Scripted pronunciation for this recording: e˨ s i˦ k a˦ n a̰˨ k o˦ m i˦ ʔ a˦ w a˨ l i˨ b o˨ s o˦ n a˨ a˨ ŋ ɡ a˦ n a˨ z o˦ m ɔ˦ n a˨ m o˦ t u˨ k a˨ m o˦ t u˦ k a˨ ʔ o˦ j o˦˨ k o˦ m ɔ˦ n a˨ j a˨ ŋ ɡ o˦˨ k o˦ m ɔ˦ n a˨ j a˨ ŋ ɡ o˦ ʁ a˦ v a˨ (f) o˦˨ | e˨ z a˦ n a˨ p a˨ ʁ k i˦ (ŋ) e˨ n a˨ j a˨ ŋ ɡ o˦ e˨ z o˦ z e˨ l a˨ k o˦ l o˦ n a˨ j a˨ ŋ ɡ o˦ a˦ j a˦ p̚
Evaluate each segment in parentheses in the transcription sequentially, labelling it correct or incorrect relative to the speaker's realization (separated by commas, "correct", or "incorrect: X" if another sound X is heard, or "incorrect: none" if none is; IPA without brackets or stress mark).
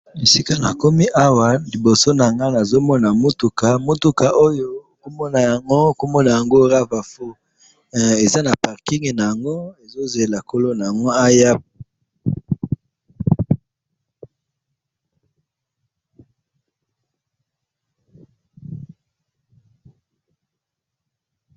correct, correct